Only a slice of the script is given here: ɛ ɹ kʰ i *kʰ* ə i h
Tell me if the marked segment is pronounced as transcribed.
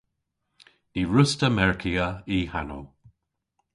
no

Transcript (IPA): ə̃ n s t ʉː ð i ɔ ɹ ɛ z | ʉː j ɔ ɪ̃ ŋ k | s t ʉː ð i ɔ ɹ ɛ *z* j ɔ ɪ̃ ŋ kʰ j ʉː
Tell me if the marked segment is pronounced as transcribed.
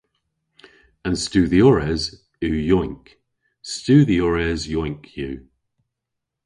yes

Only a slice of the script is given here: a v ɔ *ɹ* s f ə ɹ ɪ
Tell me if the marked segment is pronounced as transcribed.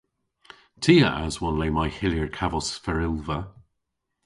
no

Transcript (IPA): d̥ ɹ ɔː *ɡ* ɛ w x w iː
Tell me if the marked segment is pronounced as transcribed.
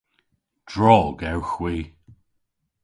yes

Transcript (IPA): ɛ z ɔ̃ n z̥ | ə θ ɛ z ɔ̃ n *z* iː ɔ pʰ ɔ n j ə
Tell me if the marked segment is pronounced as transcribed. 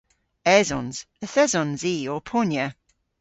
yes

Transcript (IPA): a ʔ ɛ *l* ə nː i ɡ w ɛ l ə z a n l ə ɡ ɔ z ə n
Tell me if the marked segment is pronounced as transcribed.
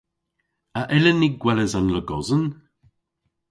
yes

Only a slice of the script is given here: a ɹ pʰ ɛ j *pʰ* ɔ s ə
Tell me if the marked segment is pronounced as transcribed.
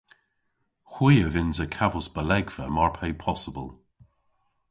yes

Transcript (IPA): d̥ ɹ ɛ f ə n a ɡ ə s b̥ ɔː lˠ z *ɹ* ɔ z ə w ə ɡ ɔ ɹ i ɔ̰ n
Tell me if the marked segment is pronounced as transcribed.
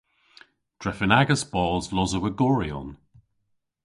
no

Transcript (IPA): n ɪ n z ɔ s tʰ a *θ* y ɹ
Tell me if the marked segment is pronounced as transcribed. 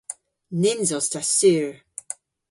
no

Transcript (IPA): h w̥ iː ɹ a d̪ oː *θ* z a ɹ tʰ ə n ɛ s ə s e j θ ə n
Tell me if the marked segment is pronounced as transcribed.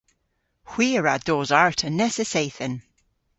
no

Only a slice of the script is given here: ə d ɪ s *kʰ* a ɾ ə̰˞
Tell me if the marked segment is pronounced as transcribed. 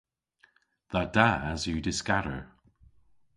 no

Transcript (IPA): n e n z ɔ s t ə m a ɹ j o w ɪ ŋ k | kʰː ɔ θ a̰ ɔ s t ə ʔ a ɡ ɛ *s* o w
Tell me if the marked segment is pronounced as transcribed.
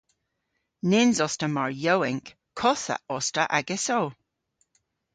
yes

